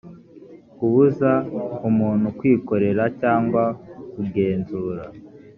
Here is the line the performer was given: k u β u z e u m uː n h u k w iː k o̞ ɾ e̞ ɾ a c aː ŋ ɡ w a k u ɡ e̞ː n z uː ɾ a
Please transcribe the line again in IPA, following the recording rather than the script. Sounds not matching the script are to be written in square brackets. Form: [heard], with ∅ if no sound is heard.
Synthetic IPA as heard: k u β u z [a] u m uː n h u k w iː k o̞ ɾ e̞ ɾ a c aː ŋ ɡ w a k u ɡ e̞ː n z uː ɾ a